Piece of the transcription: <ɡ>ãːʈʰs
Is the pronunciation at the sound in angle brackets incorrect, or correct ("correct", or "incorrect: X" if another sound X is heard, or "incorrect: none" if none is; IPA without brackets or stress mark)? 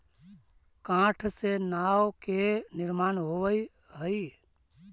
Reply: incorrect: k